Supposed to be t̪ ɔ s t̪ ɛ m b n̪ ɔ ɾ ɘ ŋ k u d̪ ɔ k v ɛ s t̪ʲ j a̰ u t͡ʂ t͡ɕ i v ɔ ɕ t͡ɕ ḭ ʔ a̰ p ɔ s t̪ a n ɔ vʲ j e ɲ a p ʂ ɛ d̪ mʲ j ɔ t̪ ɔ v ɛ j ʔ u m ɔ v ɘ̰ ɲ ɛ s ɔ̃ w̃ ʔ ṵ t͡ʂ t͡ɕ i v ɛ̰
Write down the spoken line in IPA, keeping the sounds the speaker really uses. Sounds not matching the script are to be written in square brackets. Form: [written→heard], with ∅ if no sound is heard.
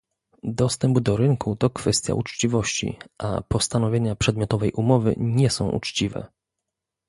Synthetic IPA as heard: [t̪→d̪] ɔ s t̪ ɛ m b [n̪→d̪] ɔ ɾ ɘ ŋ k u [d̪→t̪] ɔ k [v→f] ɛ s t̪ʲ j a̰ u t͡ʂ t͡ɕ i v ɔ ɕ t͡ɕ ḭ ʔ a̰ p ɔ s t̪ a n ɔ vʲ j e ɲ a p ʂ ɛ d̪ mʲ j ɔ t̪ ɔ v ɛ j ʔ u m ɔ v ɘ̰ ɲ ɛ s ɔ̃ w̃ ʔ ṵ t͡ʂ t͡ɕ i v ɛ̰

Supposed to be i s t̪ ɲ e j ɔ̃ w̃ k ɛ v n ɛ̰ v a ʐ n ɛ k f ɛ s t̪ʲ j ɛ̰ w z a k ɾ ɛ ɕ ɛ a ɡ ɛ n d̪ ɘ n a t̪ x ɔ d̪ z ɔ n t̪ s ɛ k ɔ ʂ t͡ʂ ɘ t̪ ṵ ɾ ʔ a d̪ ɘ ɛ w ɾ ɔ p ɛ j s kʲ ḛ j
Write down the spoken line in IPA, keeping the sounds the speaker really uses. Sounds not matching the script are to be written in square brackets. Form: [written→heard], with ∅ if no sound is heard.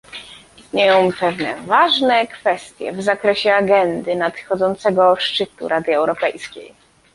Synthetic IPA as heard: i s t̪ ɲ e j ɔ̃ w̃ [k→p] ɛ v n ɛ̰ v a ʐ n ɛ k f ɛ s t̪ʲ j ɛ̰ [w→v] z a k ɾ ɛ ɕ ɛ a ɡ ɛ n d̪ ɘ n a t̪ x ɔ d̪ z ɔ n t̪ s ɛ [k→ɡ] ɔ ʂ t͡ʂ ɘ t̪ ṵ ɾ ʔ a d̪ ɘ ɛ w ɾ ɔ p ɛ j s kʲ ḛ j

